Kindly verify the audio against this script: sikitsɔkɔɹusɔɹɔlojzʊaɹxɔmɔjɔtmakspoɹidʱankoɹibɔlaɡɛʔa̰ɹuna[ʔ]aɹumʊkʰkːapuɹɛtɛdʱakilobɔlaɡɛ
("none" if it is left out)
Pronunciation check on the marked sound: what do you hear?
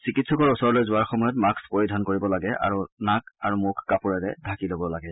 k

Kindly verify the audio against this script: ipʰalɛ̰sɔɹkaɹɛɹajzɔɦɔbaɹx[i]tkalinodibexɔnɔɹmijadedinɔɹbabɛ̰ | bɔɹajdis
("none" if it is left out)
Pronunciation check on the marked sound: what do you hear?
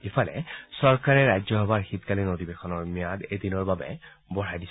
i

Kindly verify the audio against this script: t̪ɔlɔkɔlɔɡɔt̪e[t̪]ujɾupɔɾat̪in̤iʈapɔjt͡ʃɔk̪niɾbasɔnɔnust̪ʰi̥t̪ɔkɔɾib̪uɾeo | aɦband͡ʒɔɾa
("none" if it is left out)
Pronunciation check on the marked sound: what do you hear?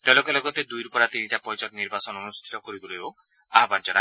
d̪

